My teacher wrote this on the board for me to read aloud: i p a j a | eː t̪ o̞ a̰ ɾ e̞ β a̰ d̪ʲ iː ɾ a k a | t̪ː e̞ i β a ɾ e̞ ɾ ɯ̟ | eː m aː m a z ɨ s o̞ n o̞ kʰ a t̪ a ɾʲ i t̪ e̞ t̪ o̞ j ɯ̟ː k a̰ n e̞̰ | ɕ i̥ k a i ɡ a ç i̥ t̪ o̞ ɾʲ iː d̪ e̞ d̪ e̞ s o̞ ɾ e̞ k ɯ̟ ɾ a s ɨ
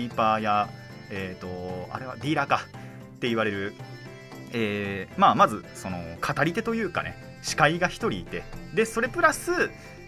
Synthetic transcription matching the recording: i p a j a | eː t̪ o̞ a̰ ɾ e̞ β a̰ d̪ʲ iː ɾ a k a | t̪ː e̞ i β a ɾ e̞ ɾ ɯ̟ | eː m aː m a z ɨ s o̞ n o̞ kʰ a t̪ a ɾʲ i t̪ e̞ t̪ o̞ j ɯ̟ː k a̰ n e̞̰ | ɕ i̥ k a i ɡ a ç i̥ t̪ o̞ ɾʲ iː t̪ e̞ d̪ e̞ s o̞ ɾ e̞ p ɯ̟ ɾ a s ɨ